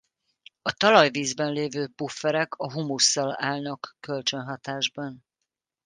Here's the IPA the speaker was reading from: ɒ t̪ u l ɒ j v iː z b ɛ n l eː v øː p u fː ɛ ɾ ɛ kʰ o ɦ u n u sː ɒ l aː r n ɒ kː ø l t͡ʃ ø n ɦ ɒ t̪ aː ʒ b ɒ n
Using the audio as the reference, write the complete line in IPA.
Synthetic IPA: ɒ t̪ ɒ l ɒ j v iː z b ɛ n l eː v øː p u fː ɛ ɾ ɛ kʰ ɒ ɦ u m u sː ɒ l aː l n ɒ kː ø l t͡ʃ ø n ɦ ɒ t̪ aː ʒ b ɒ n